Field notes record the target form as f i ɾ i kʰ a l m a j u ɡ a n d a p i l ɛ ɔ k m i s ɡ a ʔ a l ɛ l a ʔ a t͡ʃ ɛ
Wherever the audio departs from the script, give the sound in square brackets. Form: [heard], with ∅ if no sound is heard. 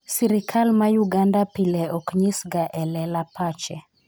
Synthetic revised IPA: [s] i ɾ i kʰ a l m a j u ɡ a n d a p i l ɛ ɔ k [ɲ] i s ɡ a ʔ [ɛ] l ɛ l a [p] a t͡ʃ ɛ